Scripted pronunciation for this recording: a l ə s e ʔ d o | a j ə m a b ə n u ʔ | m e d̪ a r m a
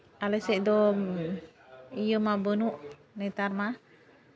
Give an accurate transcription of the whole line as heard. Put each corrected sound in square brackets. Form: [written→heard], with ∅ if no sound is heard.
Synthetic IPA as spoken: a l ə s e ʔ d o | [a→i] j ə m a b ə n u ʔ | [m→n] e [d̪→t̪] a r m a